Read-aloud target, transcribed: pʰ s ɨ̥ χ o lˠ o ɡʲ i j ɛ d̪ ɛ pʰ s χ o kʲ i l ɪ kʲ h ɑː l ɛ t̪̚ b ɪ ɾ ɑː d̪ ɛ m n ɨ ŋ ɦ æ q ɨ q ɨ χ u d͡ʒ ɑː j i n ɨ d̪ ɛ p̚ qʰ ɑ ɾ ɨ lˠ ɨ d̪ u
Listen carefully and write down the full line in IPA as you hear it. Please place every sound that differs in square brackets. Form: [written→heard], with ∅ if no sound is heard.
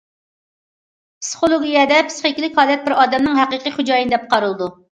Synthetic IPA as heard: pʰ s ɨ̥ χ o lˠ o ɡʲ i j ɛ d̪ ɛ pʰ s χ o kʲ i l ɪ kʲ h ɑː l ɛ t̪̚ b ɪ ɾ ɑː d̪ ɛ m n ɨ ŋ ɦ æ q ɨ q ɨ χ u d͡ʒ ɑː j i n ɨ d̪ ɛ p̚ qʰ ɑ ɾ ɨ lˠ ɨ d̪ u

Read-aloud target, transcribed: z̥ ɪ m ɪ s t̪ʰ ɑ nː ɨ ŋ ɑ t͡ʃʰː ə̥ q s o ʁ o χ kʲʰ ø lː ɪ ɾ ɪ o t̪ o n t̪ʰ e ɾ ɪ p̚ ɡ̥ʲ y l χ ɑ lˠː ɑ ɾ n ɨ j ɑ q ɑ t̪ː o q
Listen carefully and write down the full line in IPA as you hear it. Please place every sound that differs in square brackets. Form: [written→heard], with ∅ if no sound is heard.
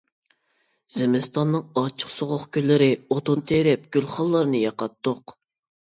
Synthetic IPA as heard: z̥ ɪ m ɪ s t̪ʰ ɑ nː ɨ ŋ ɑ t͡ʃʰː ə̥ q s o ʁ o χ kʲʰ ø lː ɪ ɾ ɪ o t̪ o n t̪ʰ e ɾ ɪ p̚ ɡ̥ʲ y l χ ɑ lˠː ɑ ɾ n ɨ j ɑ q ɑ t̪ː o q

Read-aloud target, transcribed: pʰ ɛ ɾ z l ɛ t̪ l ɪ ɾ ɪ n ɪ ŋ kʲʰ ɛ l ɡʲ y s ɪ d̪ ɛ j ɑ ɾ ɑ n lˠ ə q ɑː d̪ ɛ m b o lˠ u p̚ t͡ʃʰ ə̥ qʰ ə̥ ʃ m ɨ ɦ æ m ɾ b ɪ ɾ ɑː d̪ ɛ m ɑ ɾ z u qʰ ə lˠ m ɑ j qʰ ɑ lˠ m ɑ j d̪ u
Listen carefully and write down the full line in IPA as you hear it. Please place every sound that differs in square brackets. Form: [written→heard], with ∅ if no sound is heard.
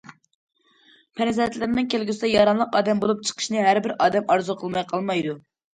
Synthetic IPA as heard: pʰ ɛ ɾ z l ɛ t̪ l ɪ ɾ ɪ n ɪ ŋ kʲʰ [ɛ→e] l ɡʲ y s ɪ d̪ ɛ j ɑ ɾ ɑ n lˠ ə q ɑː d̪ ɛ m b o lˠ u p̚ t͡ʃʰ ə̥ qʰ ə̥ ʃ [m→n] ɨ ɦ æ [m→∅] ɾ b ɪ ɾ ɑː d̪ ɛ m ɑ ɾ z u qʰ ə lˠ m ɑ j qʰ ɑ lˠ m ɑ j d̪ u

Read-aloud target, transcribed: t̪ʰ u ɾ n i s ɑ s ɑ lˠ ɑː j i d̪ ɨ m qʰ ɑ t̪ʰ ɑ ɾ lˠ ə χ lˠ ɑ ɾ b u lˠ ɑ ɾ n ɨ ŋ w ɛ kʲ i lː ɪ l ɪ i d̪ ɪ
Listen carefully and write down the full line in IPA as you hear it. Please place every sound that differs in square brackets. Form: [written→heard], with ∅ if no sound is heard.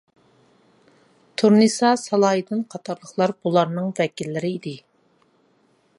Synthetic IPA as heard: t̪ʰ u ɾ n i s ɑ s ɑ lˠ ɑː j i d̪ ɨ [m→n] qʰ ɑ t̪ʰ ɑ ɾ lˠ ə χ lˠ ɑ ɾ b u lˠ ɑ ɾ n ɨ ŋ [w→v] ɛ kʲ i lː ɪ [l→ɾ] ɪ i d̪ ɪ

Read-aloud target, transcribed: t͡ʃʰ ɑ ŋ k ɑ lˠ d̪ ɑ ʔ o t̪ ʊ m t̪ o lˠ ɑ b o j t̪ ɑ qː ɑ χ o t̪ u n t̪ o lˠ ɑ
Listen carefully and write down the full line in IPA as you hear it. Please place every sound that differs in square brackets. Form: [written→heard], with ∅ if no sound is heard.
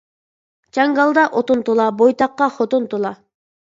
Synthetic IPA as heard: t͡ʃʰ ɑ ŋ [k→ɡ] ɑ lˠ d̪ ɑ ʔ o t̪ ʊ [m→n] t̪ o lˠ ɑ b o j t̪ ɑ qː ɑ χ o t̪ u n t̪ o lˠ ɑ

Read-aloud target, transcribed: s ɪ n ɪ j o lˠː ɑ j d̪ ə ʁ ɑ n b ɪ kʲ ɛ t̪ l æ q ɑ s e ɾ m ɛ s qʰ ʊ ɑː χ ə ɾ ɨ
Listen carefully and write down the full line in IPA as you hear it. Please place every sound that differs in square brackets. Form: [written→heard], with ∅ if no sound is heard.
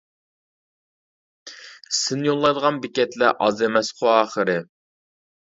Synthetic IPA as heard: s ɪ n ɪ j o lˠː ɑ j d̪ ə ʁ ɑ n b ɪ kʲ ɛ t̪ l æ [q→ʔ] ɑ [s→z] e [ɾ→∅] m ɛ s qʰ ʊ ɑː χ ə ɾ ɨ

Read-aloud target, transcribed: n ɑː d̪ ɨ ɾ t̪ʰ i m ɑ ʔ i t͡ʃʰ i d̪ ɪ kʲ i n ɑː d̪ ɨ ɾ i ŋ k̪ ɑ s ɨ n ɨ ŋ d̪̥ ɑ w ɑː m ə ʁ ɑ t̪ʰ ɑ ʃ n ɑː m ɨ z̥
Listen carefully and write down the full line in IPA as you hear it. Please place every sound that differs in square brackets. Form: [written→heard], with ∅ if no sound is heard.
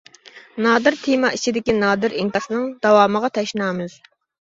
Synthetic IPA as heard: n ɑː d̪ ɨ ɾ t̪ʰ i m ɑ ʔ i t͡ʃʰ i d̪ ɪ kʲ i n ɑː d̪ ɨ ɾ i ŋ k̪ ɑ s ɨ n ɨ ŋ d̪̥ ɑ w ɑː m ə ʁ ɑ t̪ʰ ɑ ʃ n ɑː m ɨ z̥

